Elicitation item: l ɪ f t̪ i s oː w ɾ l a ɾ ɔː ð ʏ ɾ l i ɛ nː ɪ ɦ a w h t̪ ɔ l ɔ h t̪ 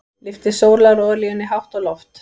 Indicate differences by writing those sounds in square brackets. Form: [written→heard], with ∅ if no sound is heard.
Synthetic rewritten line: l ɪ f t̪ [i→ɪ] s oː w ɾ l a ɾ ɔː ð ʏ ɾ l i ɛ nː ɪ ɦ a w h t̪ ɔ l ɔ [h→f] t̪